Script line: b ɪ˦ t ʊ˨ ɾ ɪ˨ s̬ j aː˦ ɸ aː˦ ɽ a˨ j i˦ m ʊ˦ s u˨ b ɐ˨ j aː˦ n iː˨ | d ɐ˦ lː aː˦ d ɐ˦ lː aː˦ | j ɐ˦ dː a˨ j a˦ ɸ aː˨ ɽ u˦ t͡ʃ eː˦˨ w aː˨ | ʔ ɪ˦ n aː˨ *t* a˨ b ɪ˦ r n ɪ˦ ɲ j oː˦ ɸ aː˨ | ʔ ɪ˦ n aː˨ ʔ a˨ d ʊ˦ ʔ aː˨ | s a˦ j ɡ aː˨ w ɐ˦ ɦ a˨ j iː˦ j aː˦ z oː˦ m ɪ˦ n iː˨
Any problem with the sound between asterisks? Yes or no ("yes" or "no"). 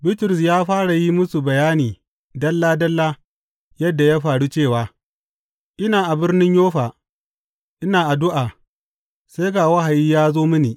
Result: yes